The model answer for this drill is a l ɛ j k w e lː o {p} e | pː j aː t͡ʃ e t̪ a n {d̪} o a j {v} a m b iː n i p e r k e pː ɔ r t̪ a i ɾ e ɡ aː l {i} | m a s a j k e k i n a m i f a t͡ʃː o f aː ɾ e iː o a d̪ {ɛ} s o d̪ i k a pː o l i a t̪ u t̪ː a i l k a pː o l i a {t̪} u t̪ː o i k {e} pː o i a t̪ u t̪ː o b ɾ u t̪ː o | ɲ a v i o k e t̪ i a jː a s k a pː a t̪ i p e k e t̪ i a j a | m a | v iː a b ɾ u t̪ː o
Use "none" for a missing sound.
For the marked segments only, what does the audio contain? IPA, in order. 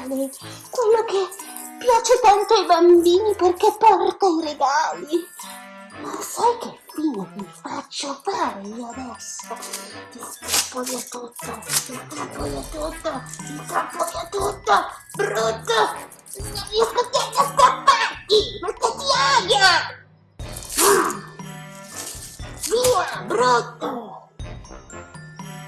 k, t̪, b, i, ɛ, t̪, a

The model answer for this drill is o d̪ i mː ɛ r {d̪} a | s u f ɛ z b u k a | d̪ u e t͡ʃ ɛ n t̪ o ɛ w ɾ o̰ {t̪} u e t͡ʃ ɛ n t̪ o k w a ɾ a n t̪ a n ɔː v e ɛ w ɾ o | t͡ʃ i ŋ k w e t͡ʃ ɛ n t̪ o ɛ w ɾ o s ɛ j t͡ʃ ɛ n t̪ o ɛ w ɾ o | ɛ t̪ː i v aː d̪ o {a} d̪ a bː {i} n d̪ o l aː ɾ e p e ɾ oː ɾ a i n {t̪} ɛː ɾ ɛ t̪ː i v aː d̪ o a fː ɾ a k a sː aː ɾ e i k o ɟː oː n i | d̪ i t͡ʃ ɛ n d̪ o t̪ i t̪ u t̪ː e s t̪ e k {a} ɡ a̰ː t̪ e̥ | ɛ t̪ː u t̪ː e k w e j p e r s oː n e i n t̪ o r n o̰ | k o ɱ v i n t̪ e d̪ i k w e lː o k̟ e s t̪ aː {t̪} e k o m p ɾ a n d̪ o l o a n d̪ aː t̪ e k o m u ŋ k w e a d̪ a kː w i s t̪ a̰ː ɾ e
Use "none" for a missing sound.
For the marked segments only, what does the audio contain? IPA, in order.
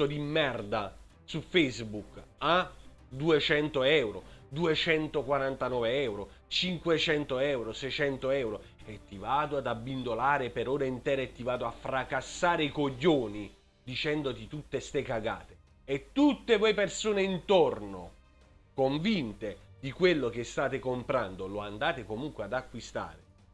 d̪, d̪, a, i, t̪, a, t̪

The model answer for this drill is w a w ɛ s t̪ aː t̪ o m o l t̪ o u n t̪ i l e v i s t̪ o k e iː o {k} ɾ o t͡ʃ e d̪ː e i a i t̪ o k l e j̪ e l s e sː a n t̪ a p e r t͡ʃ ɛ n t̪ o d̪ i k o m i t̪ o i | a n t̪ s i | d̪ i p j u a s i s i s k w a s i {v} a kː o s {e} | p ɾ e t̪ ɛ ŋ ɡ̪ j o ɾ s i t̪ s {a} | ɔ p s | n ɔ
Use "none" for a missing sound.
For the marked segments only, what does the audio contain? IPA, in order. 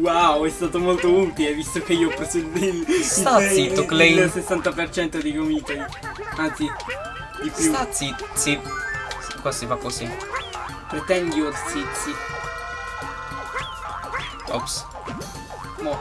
p, f, i, i

